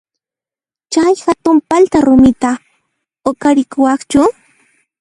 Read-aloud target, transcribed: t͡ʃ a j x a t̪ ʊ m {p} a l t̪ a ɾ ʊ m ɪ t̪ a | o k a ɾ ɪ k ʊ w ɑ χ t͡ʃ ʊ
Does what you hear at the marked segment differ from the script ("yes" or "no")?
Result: no